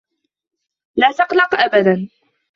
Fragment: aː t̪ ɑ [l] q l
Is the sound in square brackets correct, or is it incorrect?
incorrect: none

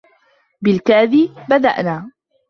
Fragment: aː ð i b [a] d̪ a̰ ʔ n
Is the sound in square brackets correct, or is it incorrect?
correct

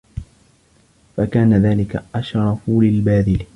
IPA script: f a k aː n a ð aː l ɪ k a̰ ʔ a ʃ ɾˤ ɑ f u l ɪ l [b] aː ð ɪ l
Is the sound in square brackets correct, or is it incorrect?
correct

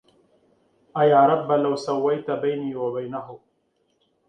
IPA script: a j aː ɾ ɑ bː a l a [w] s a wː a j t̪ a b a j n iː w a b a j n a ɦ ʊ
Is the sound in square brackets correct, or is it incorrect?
correct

